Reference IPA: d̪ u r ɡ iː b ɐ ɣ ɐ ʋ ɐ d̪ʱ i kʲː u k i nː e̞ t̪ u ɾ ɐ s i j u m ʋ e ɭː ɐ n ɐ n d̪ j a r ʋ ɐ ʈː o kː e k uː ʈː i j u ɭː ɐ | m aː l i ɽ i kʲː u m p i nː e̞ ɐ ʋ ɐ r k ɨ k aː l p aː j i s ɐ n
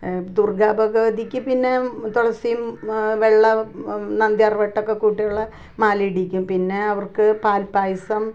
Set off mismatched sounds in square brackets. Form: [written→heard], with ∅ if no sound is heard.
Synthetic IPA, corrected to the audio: d̪ u r ɡ [iː→aː] b ɐ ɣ ɐ ʋ ɐ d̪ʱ i kʲː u [k→p] i nː e̞ t̪ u [ɾ→ɽ] ɐ s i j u m ʋ e ɭː ɐ n ɐ n d̪ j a r ʋ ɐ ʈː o kː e k uː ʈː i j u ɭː ɐ | m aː l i ɽ i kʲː u m p i nː e̞ ɐ ʋ ɐ r k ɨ [k→p] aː l p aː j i s ɐ [n→m]

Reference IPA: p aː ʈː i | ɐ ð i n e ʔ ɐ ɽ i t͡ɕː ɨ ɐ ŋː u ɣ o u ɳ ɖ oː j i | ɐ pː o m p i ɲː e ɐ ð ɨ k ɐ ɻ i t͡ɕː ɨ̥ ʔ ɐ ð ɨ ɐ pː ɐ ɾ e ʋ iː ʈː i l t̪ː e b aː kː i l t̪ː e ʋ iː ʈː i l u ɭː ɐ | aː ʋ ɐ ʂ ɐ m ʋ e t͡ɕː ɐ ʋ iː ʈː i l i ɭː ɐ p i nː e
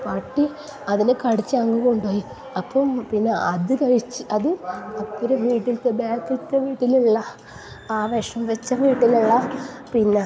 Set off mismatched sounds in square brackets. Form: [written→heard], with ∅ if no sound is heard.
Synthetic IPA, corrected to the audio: p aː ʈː i | ɐ ð i n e [ʔ→k] ɐ ɽ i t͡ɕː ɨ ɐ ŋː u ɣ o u ɳ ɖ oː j i | ɐ pː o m p i [ɲː→nː] e ɐ ð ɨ k ɐ ɻ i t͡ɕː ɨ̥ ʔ ɐ ð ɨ ɐ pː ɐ ɾ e ʋ iː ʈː i l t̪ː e b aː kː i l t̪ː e ʋ iː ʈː i l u ɭː ɐ | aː ʋ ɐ ʂ ɐ m ʋ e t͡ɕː ɐ ʋ iː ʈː i l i ɭː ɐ p i nː e

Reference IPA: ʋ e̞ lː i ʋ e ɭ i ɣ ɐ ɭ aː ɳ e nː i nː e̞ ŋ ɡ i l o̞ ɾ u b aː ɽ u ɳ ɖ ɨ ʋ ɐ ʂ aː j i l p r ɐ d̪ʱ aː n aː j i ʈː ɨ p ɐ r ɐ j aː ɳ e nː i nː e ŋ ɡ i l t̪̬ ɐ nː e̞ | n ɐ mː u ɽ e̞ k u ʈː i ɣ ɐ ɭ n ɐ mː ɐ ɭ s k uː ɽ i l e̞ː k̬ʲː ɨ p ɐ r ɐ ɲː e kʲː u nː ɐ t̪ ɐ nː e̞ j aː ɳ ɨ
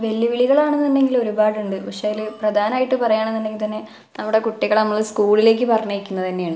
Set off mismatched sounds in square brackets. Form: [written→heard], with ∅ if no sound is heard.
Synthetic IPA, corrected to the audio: ʋ e̞ lː i ʋ [e→i] ɭ i ɣ ɐ ɭ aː ɳ e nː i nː e̞ ŋ ɡ i l o̞ ɾ u b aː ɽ u ɳ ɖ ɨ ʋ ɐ ʂ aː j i l p r ɐ d̪ʱ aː n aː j i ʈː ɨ p ɐ r ɐ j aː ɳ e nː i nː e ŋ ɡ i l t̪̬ ɐ nː e̞ | n ɐ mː u ɽ e̞ k u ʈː i ɣ ɐ ɭ n ɐ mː ɐ ɭ s k uː [ɽ→ɭ] i l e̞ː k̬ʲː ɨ p ɐ r ɐ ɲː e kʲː u nː ɐ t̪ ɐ nː e̞ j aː ɳ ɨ

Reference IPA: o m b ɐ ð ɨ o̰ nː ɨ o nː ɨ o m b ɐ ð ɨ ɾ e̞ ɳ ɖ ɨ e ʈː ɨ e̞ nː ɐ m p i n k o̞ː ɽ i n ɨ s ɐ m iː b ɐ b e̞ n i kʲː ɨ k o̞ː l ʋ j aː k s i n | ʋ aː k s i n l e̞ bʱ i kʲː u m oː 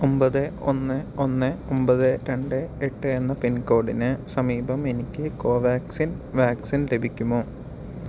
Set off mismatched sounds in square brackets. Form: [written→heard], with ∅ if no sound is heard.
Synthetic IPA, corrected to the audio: o m b ɐ ð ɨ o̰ nː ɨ o nː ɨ o m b ɐ ð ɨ ɾ e̞ ɳ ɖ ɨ e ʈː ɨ e̞ nː ɐ [m→∅] p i n k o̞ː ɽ i n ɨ s ɐ m iː b ɐ [b→m] e̞ n i kʲː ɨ k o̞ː [l→∅] ʋ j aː k s i n | ʋ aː k s i n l e̞ bʱ i kʲː u m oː

